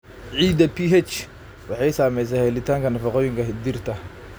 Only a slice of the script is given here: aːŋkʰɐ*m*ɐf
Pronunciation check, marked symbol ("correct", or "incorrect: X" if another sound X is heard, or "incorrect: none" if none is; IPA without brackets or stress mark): incorrect: n